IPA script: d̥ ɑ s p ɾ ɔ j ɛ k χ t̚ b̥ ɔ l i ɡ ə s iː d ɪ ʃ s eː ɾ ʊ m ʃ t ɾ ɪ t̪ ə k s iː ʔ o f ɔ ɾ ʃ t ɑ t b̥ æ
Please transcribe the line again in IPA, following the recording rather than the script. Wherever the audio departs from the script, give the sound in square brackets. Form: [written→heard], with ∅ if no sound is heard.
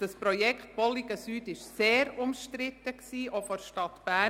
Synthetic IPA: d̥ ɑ s p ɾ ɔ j ɛ k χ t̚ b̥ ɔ l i ɡ ə s [iː→yː] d ɪ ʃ s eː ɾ ʊ m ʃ t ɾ ɪ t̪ ə k s iː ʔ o f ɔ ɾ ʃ t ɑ t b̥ æ